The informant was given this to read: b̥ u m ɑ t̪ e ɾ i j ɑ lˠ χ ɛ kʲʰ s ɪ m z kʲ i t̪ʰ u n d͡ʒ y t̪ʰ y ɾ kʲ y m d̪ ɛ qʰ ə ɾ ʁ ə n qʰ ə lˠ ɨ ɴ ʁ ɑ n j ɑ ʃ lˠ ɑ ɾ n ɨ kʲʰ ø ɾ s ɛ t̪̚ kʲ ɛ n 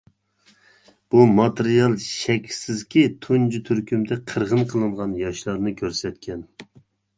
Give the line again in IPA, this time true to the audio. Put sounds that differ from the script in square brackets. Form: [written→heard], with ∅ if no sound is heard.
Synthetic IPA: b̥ u m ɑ t̪ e ɾ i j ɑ lˠ [χ→ʃ] ɛ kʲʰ s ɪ [m→∅] z kʲ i t̪ʰ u n d͡ʒ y t̪ʰ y ɾ kʲ y m d̪ ɛ qʰ ə ɾ ʁ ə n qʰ ə lˠ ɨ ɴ ʁ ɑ n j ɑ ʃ lˠ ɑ ɾ n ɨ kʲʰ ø ɾ s ɛ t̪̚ kʲ ɛ n

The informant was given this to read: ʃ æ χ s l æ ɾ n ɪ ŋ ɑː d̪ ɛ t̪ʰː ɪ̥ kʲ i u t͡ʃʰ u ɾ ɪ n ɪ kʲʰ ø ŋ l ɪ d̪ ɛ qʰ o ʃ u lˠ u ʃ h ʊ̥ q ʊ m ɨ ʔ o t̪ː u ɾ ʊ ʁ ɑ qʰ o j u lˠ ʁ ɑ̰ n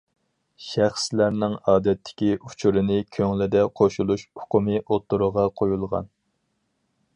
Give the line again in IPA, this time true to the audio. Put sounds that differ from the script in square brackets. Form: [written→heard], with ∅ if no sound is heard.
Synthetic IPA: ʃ æ χ s l æ ɾ n ɪ ŋ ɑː d̪ ɛ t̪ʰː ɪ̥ kʲ i u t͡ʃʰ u ɾ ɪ n ɪ kʲʰ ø ŋ l ɪ d̪ ɛ qʰ o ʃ u lˠ u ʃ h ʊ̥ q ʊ m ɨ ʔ o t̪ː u ɾ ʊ ʁ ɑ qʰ o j u lˠ ʁ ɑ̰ n

